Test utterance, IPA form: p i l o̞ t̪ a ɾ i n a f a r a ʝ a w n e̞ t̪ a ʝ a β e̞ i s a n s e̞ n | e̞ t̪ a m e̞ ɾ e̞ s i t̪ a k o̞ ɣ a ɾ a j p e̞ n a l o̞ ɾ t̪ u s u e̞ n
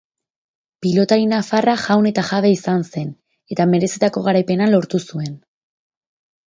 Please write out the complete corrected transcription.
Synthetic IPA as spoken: p i l o̞ t̪ a ɾ i n a f a r a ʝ a w n e̞ t̪ a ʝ a β e̞ i s a n s e̞ n | e̞ t̪ a m e̞ ɾ e̞ s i t̪ a k o̞ ɣ a ɾ a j p e̞ n a l o̞ ɾ t̪ u s u e̞ n